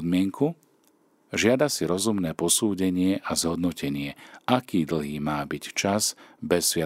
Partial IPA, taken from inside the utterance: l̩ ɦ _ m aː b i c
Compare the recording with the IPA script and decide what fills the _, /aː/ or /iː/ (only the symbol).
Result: iː